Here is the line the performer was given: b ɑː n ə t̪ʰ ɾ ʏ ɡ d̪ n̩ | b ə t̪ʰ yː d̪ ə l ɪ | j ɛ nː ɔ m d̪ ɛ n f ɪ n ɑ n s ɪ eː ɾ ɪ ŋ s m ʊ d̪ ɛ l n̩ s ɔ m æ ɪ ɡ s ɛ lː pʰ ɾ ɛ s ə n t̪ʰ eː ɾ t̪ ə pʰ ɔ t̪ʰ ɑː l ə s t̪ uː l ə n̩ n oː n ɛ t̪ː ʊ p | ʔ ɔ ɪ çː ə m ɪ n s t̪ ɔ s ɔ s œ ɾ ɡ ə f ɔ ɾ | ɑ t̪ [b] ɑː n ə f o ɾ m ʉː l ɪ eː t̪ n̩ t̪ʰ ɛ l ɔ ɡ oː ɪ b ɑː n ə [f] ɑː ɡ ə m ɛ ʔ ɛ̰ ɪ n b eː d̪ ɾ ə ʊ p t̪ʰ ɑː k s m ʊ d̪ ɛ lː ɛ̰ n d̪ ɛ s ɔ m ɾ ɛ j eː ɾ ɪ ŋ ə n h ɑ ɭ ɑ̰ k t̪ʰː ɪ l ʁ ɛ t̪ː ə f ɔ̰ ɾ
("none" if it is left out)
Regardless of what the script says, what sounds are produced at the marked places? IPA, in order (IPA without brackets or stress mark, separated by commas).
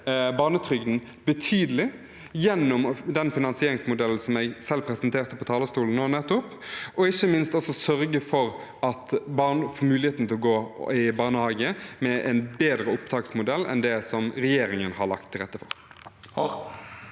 b, h